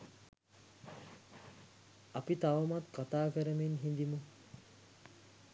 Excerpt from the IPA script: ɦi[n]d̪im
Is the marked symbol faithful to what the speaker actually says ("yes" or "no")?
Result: yes